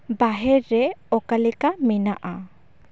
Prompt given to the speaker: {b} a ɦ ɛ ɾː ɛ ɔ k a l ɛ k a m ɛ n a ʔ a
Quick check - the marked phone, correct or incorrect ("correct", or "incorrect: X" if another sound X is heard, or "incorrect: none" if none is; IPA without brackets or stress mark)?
correct